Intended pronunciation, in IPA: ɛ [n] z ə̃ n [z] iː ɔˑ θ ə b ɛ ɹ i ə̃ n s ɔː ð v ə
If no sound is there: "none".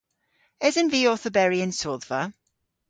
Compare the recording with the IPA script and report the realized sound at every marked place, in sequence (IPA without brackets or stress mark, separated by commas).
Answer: none, v